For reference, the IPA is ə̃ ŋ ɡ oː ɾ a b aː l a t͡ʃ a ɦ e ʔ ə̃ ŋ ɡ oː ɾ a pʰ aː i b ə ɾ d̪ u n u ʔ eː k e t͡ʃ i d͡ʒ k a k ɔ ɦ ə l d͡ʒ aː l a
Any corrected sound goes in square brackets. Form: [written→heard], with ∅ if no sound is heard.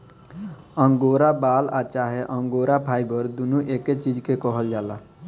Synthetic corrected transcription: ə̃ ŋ ɡ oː ɾ a b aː l a t͡ʃ a ɦ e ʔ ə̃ ŋ ɡ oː ɾ a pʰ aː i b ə ɾ d̪ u n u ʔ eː k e t͡ʃ i d͡ʒ k [a→e] k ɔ ɦ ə l d͡ʒ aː l a